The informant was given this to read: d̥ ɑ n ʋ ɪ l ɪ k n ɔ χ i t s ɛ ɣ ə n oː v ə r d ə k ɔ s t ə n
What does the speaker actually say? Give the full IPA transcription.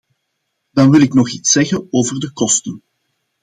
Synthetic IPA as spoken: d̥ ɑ n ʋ ɪ l ɪ k n ɔ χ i t s ɛ ɣ ə n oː v ə r d ə k ɔ s t ə n